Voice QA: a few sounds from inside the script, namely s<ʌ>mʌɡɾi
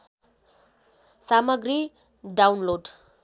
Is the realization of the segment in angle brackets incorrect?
yes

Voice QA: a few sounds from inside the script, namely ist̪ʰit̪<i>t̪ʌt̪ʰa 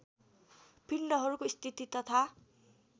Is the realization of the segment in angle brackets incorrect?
no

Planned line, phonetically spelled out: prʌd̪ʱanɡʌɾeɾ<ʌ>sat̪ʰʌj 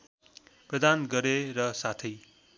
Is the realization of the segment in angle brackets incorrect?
no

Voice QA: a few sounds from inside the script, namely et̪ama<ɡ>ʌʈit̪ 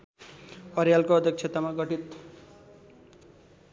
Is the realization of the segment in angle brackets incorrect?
no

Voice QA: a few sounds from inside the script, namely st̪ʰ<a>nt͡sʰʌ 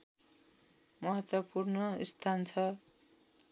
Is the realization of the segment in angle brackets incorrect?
no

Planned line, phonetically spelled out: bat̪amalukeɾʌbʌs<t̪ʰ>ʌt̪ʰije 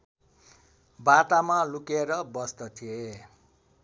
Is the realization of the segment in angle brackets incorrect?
yes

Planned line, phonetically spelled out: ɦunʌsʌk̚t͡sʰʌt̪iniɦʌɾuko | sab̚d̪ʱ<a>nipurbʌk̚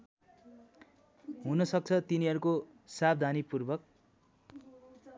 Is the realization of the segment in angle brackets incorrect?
no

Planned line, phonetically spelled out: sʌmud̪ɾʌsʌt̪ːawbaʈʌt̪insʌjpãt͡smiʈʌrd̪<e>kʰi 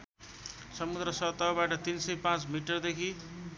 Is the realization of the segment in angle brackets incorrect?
no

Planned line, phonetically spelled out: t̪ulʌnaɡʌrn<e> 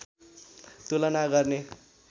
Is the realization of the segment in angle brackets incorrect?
no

